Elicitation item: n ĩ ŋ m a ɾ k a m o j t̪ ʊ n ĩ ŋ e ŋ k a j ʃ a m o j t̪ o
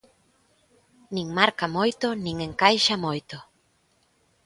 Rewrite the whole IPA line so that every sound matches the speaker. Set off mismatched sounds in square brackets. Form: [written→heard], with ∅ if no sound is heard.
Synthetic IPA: n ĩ ŋ m a ɾ k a m o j t̪ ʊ n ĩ ŋ e ŋ k a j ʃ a m o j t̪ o